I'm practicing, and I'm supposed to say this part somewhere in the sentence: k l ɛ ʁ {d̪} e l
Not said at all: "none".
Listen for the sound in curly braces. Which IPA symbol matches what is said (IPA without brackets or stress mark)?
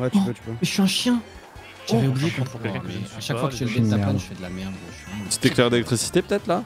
d̪